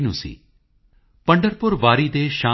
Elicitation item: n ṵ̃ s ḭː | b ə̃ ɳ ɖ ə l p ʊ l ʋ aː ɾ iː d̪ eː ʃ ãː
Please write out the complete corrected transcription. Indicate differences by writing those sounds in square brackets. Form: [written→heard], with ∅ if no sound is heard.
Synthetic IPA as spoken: n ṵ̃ s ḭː | [b→p] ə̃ ɳ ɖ ə [l→ɾ] p ʊ [l→ɾ] ʋ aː ɾ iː d̪ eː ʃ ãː

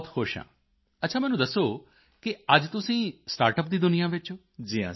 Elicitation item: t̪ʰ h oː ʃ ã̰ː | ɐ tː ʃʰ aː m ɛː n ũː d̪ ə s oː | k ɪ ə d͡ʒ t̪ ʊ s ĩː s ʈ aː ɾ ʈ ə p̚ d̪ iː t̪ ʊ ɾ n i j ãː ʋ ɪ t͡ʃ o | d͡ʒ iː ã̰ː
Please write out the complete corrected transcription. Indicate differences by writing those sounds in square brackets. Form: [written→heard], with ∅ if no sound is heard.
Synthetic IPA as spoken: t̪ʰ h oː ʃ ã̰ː | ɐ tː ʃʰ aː m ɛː n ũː d̪ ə s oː | k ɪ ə d͡ʒ t̪ ʊ s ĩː s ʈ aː ɾ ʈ ə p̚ d̪ iː [t̪→d̪] ʊ [ɾ→∅] n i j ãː ʋ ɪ t͡ʃ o | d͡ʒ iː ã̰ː

